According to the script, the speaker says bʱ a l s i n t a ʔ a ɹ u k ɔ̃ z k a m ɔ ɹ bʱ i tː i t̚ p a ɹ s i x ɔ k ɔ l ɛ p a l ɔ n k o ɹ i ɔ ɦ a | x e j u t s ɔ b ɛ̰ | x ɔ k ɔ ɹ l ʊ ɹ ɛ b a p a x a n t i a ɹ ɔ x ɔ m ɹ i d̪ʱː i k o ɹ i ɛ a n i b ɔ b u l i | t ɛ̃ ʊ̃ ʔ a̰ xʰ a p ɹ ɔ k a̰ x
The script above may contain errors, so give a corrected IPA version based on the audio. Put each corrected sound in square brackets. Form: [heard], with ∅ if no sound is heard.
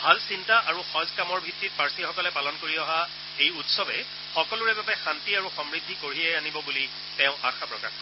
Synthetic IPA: bʱ a l s i n t a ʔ a ɹ u [x] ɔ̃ z k a m ɔ ɹ bʱ i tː i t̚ p a ɹ s i x ɔ k ɔ l ɛ p a l ɔ n k o ɹ i ɔ ɦ a | x e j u t s ɔ b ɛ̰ | x ɔ k ɔ [∅] l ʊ ɹ ɛ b a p [ɛ] x a n t i a ɹ [u] x ɔ m ɹ i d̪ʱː i k o ɹ i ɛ a n i b ɔ b u l i | t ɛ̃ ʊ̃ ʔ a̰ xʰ a p ɹ ɔ k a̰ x